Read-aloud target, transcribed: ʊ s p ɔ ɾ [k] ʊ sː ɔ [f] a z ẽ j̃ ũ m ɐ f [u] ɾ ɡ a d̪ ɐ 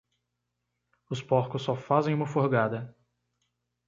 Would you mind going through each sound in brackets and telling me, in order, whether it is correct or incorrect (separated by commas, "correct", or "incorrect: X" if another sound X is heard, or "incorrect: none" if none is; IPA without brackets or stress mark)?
correct, correct, incorrect: o